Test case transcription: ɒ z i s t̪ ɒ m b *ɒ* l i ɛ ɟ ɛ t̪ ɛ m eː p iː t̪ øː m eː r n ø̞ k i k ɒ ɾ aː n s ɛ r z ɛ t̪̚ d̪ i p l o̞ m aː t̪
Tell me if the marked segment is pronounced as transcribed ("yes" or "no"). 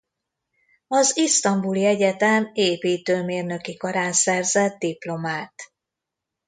no